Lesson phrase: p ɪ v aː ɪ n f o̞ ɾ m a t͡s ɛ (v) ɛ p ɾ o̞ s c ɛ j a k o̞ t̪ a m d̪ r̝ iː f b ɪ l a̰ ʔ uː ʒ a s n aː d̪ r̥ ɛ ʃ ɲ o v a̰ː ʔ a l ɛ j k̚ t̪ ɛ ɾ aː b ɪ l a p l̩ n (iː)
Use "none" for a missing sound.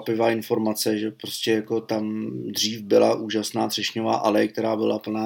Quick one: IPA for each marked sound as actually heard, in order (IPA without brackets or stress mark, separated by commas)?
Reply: ʒ, aː